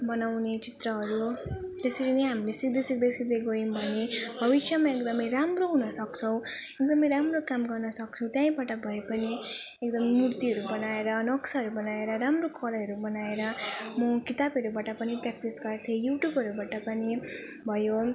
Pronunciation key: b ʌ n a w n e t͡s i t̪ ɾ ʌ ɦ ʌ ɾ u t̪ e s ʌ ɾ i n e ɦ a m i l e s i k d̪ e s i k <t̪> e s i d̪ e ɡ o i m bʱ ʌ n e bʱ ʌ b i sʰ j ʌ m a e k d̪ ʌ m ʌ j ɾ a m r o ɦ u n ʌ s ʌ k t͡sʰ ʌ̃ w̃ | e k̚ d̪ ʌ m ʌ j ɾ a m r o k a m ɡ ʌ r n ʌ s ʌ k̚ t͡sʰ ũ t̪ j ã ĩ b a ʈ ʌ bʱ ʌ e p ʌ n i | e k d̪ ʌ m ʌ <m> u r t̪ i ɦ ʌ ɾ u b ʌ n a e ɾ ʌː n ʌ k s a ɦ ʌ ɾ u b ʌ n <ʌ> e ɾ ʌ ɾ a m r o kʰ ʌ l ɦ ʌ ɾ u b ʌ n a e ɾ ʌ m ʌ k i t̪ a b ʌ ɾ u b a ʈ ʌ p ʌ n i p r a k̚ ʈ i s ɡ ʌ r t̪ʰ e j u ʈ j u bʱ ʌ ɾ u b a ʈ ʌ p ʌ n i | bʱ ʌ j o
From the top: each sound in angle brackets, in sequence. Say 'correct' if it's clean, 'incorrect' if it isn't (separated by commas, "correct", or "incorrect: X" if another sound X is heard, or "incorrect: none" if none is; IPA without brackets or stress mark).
incorrect: d̪, correct, incorrect: a